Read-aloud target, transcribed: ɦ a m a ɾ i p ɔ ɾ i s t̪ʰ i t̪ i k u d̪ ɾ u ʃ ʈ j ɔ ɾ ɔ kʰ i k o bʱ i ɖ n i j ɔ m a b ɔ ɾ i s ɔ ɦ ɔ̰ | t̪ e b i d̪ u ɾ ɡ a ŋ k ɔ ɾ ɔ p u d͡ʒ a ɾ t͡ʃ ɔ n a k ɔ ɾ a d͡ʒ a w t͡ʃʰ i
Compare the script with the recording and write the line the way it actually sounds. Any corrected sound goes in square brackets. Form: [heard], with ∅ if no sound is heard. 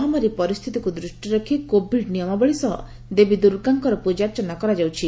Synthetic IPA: ɦ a m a ɾ i p ɔ ɾ i s t̪ʰ i t̪ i k u d̪ ɾ u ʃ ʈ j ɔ ɾ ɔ kʰ i k o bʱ i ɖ n i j ɔ m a b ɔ [ɭ] i s ɔ ɦ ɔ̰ | [d̪] e b i d̪ u ɾ ɡ a ŋ k ɔ ɾ ɔ p u d͡ʒ a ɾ t͡ʃ ɔ n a k ɔ ɾ a d͡ʒ a w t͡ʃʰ i

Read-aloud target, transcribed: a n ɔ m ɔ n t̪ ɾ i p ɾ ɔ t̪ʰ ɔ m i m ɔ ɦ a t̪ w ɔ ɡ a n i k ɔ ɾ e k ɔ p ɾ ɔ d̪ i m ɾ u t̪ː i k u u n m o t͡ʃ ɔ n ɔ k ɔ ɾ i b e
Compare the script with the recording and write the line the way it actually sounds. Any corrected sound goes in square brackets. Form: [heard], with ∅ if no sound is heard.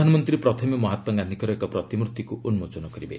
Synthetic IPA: a n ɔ m ɔ n t̪ ɾ i p ɾ ɔ t̪ʰ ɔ m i m ɔ ɦ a t̪ w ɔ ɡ a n i k ɔ ɾ e k ɔ p ɾ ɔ [t̪] i m ɾ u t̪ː i k u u n m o t͡ʃ ɔ n ɔ k ɔ ɾ i b e

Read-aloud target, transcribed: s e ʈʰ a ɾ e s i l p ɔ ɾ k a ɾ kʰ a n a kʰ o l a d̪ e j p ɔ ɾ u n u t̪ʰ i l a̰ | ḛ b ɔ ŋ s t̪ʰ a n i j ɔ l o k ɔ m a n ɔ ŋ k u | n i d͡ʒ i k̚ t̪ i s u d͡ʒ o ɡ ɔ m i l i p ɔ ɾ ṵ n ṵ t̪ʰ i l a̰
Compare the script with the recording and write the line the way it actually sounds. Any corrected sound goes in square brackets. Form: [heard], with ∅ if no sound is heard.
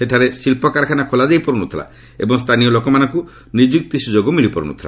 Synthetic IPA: s e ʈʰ a ɾ e s i l p ɔ [∅] k a ɾ kʰ a n a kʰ o l a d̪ e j p ɔ ɾ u n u t̪ʰ i l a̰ | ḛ b ɔ ŋ s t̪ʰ a n i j ɔ l o k ɔ m a n ɔ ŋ k u | n i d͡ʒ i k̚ t̪ i s u d͡ʒ o ɡ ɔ m i l i p ɔ ɾ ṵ n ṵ t̪ʰ i l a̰

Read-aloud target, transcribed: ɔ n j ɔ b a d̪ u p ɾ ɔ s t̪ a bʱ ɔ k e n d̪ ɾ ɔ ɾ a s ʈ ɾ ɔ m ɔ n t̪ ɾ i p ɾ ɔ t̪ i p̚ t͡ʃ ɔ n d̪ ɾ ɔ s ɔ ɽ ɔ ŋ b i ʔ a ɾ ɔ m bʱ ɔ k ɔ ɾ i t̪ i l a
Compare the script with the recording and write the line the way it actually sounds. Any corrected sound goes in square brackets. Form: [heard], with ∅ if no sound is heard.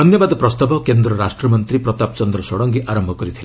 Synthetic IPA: ɔ n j ɔ b a d̪ [ɔ] p ɾ ɔ s t̪ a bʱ ɔ k e n d̪ ɾ ɔ ɾ a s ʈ ɾ ɔ m ɔ n t̪ ɾ i p ɾ ɔ t̪ [a] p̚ t͡ʃ ɔ n d̪ ɾ ɔ s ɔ ɽ ɔ ŋ [ɡ] i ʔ a ɾ ɔ m bʱ ɔ k ɔ ɾ i [t̪ʰ] i l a

